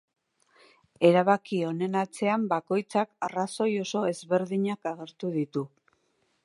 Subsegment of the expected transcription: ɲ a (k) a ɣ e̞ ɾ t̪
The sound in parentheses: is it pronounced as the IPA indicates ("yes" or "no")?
yes